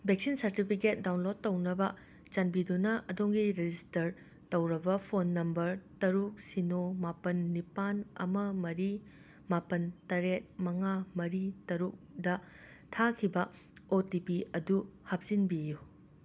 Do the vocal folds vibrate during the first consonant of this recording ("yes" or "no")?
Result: yes